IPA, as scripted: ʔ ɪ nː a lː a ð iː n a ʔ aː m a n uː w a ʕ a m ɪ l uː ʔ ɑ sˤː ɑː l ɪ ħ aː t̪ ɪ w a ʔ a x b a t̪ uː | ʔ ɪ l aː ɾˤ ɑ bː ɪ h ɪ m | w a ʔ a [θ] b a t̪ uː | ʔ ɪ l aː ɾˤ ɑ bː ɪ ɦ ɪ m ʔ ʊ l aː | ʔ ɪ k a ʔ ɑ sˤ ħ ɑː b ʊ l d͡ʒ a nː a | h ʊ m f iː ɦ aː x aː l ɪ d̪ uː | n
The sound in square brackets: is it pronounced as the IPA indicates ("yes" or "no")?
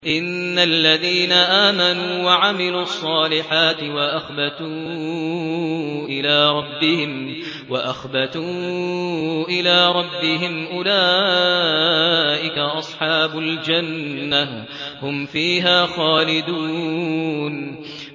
no